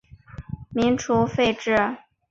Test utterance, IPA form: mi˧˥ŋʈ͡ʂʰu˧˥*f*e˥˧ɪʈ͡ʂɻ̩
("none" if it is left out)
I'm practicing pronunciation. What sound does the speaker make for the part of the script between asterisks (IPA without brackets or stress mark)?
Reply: f